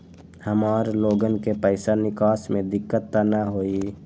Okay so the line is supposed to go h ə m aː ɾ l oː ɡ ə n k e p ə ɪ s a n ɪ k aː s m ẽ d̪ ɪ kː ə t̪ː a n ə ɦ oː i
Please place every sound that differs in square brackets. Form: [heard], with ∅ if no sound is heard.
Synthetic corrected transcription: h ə m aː ɾ l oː ɡ ə n k e p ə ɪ s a n ɪ k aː s m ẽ d̪ ɪ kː ə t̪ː a n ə ɦ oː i